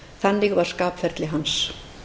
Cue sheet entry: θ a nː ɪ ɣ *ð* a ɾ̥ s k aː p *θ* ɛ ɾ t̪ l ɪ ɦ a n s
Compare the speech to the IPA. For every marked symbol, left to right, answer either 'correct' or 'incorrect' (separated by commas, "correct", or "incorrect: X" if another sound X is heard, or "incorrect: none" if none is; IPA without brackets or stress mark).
incorrect: v, incorrect: f